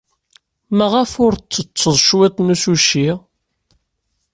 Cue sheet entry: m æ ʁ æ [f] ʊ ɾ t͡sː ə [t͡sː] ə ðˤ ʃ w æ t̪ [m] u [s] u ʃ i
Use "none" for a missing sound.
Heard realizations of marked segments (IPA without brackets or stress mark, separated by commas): f, t͡sː, n, s